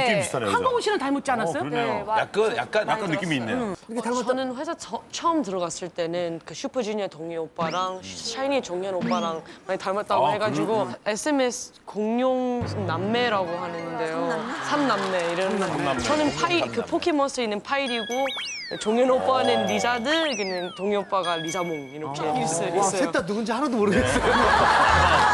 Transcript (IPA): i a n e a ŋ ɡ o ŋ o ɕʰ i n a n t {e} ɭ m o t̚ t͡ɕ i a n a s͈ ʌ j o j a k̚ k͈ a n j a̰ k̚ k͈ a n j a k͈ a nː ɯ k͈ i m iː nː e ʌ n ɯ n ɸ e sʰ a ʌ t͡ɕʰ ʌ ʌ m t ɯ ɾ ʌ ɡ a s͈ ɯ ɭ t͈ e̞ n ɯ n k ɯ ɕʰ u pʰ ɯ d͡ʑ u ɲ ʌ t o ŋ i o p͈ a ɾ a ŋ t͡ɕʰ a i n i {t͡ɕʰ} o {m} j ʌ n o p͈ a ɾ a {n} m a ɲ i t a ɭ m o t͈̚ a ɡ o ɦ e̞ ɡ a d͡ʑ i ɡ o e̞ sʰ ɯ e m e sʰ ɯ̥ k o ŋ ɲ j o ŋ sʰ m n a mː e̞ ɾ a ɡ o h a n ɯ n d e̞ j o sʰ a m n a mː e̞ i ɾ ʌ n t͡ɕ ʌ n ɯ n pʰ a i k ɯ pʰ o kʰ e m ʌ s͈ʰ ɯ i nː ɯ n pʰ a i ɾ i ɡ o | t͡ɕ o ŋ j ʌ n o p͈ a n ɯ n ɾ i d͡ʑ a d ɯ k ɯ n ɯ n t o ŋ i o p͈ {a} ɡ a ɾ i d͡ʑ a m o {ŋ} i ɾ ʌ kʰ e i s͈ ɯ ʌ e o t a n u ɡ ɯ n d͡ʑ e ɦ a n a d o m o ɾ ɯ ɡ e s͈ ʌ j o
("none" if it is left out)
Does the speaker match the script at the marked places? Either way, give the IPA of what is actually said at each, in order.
a, t͡ɕ, ŋ, ŋ, a, ŋ

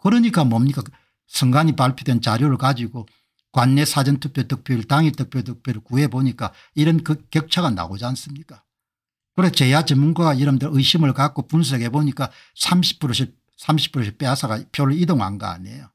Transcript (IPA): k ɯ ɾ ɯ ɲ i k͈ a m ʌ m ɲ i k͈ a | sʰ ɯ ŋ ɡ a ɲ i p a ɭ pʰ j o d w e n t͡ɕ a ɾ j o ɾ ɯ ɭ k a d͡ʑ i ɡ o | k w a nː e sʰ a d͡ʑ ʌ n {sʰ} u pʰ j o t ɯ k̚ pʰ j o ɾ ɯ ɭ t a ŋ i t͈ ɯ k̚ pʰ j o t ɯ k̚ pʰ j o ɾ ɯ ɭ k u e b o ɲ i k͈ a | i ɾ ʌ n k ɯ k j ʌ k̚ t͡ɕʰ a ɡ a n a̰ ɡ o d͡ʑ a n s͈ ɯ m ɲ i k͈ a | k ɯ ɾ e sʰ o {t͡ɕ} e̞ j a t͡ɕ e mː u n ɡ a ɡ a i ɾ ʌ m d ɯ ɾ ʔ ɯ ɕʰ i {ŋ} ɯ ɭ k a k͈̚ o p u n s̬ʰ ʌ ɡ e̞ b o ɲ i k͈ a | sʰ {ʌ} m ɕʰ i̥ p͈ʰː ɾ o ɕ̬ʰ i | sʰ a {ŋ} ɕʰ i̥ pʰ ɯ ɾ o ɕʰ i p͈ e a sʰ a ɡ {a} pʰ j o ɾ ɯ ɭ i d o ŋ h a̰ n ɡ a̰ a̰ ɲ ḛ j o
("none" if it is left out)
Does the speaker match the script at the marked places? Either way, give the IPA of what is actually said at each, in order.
tʰ, t͡ɕ, m, a, m, a

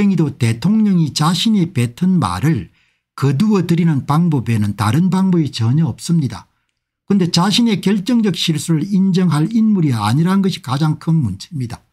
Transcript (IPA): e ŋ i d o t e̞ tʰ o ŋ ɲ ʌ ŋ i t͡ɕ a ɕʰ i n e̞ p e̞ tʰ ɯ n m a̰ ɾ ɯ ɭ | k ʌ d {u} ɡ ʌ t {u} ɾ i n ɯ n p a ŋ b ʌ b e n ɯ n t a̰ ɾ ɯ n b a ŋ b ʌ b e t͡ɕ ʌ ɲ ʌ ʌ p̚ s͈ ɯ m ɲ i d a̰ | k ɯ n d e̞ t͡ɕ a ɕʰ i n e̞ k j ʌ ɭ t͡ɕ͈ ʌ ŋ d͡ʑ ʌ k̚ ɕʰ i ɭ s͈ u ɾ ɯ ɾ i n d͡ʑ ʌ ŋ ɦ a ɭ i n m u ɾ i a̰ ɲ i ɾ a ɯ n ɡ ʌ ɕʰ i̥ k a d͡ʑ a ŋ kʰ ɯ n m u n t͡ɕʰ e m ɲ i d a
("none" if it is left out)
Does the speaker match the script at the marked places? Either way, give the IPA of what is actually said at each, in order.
u, ɯ

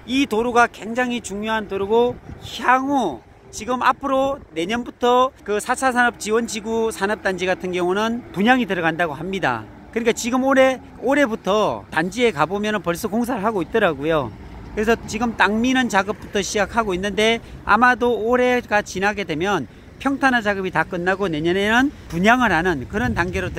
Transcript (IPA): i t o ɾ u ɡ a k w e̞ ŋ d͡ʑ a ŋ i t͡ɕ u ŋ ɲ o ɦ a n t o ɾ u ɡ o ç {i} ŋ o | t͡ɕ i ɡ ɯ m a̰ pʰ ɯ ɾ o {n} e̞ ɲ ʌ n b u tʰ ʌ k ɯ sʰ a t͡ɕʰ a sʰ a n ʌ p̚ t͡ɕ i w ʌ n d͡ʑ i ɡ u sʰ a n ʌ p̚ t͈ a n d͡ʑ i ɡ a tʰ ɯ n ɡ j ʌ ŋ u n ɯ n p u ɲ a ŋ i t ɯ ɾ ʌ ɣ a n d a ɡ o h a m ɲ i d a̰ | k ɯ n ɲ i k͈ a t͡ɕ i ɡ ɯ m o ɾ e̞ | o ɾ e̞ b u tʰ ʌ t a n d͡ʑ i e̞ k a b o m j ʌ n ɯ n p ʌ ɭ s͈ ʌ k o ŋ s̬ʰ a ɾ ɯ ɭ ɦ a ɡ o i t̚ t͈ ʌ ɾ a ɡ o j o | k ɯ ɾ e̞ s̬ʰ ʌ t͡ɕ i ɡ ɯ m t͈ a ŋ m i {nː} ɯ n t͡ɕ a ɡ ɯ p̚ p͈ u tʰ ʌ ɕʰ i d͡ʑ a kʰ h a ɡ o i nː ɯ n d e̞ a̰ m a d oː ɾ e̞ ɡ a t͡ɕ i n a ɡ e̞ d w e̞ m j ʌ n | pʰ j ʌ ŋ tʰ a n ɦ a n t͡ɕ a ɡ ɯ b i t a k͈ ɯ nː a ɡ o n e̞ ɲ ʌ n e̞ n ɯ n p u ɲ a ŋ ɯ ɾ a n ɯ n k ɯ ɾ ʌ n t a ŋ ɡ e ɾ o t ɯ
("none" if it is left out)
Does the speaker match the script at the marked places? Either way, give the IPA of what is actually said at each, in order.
a, n, n

